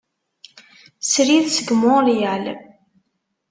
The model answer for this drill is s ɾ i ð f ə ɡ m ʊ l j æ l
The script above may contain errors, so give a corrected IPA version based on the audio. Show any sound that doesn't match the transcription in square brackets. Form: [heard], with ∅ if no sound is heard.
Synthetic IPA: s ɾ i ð [s] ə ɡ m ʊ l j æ l